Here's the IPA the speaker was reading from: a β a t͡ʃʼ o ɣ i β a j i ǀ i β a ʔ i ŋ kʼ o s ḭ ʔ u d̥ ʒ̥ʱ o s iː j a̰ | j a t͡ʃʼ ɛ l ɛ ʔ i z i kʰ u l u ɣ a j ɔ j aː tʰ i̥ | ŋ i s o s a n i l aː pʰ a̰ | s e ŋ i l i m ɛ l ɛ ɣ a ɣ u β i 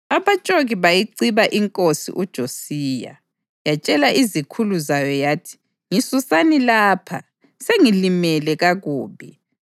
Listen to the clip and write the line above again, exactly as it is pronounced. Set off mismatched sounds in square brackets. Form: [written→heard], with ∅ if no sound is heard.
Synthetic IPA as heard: a β a t͡ʃʼ o ɣ i β a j i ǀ i β a ʔ i ŋ kʼ o s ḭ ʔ u d̥ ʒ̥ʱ o s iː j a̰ | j a t͡ʃʼ ɛ l [ɛ→a] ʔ i z i kʰ u l u [ɣ→z] a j ɔ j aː tʰ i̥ | ŋ i s [o→u] s a n i l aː pʰ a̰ | s e ŋ i l i m ɛ l ɛ ɣ a ɣ [u→uː] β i